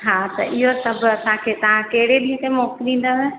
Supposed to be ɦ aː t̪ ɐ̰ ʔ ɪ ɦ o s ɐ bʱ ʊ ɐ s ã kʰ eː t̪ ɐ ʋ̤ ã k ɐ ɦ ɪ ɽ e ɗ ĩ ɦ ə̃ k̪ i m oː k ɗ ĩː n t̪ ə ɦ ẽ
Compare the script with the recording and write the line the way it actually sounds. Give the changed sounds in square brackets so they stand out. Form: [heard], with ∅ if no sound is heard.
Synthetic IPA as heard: ɦ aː t̪ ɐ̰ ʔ ɪ ɦ o s ɐ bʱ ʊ ɐ s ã kʰ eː t̪ ɐ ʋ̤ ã k ɐ ɦ ɪ ɽ e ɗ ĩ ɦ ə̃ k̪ [e] m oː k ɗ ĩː n [d̪] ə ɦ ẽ